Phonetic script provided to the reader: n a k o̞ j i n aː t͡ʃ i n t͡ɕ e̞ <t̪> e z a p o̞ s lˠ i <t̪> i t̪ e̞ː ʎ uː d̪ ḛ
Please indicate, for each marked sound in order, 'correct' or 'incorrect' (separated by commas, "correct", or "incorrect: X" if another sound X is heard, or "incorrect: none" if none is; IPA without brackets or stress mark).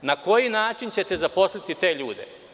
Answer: correct, correct